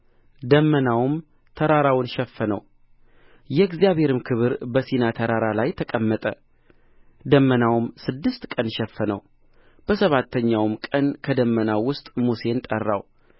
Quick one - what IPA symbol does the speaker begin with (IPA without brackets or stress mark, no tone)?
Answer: d̪